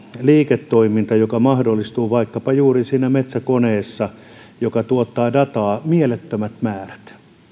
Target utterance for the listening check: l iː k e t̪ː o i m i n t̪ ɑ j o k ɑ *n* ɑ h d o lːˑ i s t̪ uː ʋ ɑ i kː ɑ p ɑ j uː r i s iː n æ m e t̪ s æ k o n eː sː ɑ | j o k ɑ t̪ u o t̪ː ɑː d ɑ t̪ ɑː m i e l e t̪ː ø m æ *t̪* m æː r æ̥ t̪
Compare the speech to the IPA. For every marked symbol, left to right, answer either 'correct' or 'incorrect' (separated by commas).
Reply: incorrect, correct